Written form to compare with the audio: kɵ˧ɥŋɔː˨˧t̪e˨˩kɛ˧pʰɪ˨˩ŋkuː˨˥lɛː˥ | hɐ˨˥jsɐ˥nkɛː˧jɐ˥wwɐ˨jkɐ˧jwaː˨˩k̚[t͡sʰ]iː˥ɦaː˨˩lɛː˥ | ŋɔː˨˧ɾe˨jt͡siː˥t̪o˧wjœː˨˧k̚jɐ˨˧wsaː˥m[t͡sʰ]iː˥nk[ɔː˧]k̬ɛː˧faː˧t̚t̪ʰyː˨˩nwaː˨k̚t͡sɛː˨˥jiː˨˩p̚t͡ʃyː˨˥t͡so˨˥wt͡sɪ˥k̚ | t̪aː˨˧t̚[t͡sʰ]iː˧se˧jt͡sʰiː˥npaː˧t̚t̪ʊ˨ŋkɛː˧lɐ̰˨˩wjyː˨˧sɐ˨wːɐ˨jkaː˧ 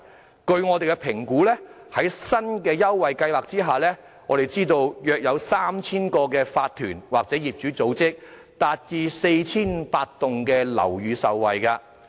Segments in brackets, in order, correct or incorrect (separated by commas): incorrect, correct, correct, incorrect